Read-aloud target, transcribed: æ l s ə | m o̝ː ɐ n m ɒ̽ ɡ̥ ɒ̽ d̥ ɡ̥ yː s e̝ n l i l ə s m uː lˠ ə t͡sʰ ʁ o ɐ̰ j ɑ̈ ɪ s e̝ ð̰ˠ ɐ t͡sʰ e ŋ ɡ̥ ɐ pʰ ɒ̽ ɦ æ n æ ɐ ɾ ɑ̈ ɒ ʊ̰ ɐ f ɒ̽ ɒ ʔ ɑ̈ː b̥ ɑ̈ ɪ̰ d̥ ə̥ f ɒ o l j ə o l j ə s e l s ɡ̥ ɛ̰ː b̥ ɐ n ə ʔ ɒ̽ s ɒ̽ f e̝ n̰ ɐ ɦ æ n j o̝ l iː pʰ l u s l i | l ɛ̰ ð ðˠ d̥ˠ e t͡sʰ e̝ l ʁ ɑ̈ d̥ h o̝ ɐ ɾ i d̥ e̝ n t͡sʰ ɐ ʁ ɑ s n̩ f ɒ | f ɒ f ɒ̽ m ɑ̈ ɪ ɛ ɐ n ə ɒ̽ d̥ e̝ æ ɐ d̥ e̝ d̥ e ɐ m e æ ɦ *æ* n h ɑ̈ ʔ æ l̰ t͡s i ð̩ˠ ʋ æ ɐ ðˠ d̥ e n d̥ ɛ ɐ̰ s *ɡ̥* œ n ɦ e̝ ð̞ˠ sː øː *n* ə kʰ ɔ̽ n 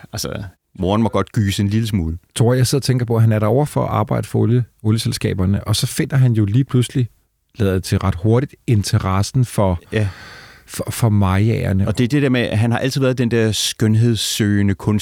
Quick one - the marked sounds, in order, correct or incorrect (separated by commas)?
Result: correct, correct, correct